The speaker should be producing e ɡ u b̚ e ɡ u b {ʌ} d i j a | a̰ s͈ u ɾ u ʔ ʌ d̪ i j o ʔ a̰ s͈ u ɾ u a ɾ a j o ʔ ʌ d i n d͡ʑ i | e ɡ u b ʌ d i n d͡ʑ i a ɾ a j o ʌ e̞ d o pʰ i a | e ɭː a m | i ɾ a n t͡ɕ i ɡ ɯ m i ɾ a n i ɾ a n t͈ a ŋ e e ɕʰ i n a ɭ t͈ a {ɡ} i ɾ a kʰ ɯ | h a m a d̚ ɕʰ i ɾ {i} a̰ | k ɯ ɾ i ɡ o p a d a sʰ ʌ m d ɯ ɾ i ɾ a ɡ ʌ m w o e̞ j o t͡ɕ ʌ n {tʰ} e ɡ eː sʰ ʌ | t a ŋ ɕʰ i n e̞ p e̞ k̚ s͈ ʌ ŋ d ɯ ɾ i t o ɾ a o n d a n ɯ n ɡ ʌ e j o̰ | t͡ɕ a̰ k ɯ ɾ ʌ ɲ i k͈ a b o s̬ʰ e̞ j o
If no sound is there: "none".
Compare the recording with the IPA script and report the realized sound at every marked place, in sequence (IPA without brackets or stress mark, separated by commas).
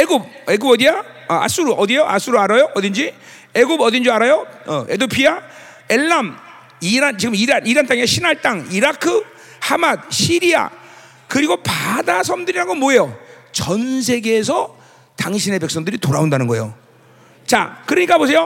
ʌ, ŋ, i, sʰ